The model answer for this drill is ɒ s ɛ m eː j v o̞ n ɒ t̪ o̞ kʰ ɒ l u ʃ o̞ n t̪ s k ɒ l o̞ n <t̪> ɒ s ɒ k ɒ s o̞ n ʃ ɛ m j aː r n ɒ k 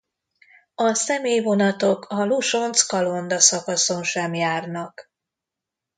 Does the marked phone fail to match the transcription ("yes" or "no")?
yes